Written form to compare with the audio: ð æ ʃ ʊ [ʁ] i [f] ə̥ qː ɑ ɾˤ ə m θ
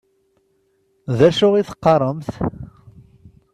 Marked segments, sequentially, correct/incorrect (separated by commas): correct, incorrect